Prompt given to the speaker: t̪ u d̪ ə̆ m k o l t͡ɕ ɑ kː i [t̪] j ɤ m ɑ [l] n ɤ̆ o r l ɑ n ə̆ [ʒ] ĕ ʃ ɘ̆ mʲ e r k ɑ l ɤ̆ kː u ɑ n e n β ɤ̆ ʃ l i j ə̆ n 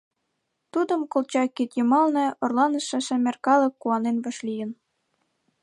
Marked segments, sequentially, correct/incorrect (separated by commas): correct, correct, incorrect